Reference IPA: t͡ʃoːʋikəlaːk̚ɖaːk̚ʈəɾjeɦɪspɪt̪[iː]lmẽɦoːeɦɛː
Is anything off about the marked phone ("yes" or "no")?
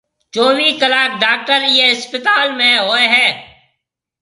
yes